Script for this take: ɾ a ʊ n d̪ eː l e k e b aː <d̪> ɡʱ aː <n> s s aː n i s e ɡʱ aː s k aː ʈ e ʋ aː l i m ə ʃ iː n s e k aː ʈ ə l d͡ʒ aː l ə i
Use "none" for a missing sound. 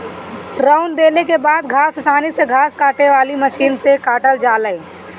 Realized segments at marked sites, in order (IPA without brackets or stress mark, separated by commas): d̪, none